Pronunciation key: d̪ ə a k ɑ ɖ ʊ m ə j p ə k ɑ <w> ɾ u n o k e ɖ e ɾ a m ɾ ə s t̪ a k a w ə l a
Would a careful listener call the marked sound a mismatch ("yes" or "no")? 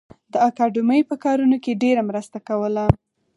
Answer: yes